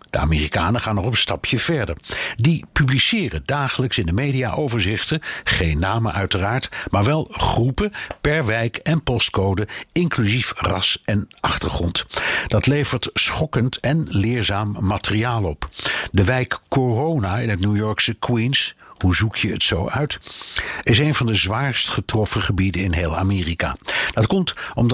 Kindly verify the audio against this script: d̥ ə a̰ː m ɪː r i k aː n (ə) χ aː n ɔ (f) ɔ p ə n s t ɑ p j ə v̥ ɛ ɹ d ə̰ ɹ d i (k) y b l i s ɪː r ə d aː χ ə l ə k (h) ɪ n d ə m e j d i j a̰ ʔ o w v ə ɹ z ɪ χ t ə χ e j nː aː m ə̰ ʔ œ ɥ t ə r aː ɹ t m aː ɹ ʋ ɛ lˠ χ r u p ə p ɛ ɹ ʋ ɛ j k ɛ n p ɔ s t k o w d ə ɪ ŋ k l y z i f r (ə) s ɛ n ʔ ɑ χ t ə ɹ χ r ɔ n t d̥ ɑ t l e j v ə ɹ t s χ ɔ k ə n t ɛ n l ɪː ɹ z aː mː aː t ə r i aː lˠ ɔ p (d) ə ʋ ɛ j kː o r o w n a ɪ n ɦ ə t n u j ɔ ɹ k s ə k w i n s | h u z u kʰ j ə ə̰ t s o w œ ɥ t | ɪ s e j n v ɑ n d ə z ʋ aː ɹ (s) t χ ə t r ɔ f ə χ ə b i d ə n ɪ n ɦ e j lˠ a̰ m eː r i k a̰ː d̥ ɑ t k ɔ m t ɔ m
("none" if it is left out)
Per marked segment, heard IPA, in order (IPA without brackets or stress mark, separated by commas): ə, χ, p, s, ɑ, d, s